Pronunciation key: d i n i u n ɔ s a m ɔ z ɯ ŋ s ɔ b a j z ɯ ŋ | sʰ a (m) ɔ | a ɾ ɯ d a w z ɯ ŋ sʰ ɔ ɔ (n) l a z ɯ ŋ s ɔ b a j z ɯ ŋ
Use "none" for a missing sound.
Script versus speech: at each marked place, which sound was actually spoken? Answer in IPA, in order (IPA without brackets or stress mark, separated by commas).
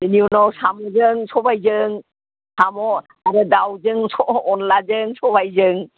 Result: m, n